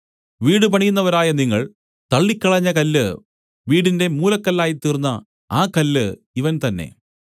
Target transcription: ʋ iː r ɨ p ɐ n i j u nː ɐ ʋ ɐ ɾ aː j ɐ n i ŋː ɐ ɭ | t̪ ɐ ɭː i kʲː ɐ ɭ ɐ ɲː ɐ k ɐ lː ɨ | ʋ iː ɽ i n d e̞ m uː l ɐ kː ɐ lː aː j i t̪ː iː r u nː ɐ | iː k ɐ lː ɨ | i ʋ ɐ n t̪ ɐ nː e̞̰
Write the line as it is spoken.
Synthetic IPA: ʋ iː ɽ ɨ p ɐ ɳ i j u nː ɐ ʋ ɐ ɾ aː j ɐ n i ŋː ɐ ɭ | t̪ ɐ ɭː i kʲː ɐ ɭ ɐ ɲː ɐ k ɐ lː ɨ | ʋ iː ɽ i n d e̞ m uː l ɐ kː ɐ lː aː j i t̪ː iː r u nː ɐ | aː k ɐ lː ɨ | i ʋ ɐ n t̪ ɐ nː e̞̰